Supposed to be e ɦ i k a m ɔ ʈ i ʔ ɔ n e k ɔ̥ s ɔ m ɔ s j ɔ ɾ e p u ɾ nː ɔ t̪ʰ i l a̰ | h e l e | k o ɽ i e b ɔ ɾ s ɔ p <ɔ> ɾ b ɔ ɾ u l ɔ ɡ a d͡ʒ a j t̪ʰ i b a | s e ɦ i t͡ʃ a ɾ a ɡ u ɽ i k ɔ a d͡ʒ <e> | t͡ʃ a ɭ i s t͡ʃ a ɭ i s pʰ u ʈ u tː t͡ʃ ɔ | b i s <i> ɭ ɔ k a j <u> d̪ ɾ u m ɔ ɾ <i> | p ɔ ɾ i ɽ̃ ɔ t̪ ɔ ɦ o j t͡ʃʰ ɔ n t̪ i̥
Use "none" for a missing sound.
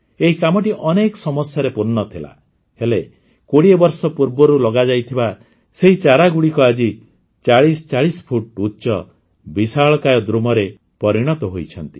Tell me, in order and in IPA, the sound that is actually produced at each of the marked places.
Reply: u, i, a, ɔ, e

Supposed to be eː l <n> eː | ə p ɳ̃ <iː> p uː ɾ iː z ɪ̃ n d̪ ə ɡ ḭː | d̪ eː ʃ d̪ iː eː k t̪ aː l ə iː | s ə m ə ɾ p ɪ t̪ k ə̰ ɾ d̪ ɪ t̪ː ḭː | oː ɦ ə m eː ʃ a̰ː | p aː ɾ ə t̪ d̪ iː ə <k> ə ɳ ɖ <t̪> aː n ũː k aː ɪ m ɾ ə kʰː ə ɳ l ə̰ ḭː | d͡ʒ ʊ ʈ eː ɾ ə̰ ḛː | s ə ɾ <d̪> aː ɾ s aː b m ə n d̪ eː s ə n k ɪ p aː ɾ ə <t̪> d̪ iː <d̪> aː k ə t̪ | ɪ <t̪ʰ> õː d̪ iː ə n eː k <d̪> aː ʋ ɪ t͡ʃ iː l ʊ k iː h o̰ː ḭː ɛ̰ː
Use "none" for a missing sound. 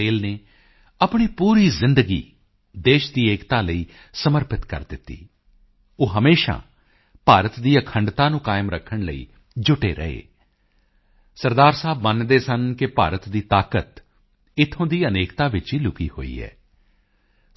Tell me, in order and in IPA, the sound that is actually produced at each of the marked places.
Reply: n, iː, kʰ, t̪, d̪, t̪, t̪, t̪ʰ, t̪

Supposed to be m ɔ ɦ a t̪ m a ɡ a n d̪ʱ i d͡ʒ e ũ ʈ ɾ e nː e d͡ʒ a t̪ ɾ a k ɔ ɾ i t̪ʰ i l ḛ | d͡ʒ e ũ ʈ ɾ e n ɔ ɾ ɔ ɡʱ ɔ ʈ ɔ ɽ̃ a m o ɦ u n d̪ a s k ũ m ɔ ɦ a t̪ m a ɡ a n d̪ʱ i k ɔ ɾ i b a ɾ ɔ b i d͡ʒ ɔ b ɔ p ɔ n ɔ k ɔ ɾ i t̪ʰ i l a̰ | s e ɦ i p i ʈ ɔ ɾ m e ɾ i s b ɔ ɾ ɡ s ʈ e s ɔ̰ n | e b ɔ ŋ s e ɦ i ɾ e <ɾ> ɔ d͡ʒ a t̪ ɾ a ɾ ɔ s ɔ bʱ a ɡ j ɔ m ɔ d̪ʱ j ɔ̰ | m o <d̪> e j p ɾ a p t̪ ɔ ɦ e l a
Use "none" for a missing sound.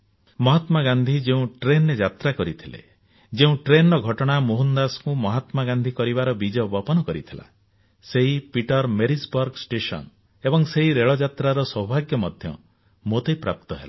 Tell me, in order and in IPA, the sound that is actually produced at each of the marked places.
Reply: ɭ, t̪

